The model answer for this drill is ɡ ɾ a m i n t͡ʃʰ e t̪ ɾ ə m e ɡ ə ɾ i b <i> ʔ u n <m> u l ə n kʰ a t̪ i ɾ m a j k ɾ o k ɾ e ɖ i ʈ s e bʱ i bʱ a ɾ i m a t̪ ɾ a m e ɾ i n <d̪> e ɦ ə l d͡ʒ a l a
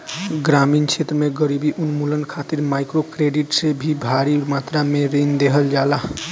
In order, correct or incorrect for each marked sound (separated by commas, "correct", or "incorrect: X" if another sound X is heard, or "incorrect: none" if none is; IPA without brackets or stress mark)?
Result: correct, correct, correct